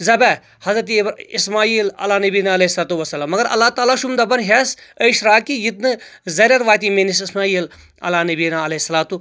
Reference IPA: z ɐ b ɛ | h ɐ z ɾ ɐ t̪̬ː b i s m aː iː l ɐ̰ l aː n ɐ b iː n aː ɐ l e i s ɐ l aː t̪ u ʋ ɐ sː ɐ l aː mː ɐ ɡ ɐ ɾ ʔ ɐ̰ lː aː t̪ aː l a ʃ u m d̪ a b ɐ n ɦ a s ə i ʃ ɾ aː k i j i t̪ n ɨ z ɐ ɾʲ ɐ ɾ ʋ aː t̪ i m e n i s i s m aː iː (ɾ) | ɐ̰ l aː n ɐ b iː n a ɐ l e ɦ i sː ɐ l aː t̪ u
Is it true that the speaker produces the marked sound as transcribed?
no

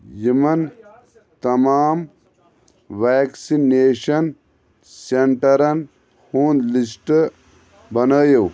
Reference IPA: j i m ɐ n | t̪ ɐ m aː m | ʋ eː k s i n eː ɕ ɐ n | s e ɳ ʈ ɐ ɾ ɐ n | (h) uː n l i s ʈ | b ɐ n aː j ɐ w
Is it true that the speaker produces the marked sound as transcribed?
yes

